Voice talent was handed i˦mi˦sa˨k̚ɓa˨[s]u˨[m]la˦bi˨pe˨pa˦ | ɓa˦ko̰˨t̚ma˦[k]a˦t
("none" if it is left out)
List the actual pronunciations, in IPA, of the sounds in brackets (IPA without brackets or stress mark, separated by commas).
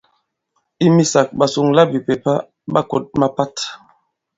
s, ŋ, p